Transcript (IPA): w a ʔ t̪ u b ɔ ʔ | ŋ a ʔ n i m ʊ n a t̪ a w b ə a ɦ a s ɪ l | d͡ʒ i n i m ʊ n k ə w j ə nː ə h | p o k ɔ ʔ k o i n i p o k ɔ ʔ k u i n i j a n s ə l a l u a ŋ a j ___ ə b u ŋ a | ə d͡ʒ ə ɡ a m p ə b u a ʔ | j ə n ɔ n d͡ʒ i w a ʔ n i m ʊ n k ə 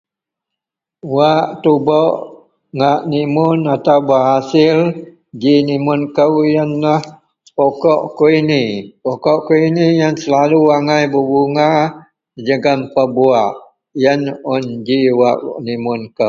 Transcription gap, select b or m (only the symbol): b